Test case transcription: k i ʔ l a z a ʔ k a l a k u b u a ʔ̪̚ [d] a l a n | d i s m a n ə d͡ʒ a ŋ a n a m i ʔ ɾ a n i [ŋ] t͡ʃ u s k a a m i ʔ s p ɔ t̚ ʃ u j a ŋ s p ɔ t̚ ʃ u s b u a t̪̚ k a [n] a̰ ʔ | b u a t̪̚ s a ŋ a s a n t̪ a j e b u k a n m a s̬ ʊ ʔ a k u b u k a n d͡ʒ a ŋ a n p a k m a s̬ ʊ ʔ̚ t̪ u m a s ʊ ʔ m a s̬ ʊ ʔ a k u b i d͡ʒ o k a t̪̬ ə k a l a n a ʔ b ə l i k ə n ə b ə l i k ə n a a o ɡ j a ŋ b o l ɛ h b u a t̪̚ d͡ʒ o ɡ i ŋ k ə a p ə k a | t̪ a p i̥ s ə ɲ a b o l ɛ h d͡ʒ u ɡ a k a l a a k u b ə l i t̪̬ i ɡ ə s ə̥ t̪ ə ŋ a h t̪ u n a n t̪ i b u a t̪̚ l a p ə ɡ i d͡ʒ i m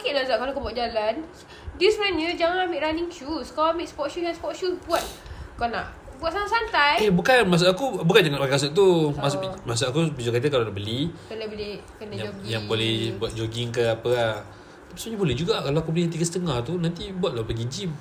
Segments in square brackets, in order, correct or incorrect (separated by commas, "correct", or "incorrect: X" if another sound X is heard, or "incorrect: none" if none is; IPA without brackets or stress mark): incorrect: d͡ʒ, correct, correct